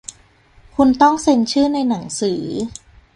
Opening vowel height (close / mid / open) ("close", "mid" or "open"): close